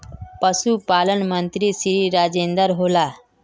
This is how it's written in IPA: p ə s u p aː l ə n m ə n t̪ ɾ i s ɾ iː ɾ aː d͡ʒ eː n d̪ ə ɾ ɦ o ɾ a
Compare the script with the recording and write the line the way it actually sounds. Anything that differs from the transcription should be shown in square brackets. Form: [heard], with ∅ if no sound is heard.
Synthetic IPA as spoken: p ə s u p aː l ə n m ə n t̪ ɾ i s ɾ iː ɾ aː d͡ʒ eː n d̪ ə ɾ ɦ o [l] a